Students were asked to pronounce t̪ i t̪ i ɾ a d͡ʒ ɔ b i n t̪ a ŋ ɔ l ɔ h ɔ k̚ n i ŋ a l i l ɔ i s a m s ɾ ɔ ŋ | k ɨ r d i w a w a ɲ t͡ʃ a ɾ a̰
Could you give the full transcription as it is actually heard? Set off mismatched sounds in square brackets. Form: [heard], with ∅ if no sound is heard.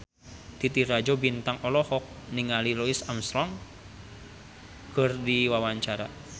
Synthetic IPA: t̪ i t̪ i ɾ a d͡ʒ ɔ b i n t̪ a ŋ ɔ l ɔ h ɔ k̚ n i ŋ a l i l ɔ i s a m s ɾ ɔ ŋ | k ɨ r d i w a w a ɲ t͡ʃ a ɾ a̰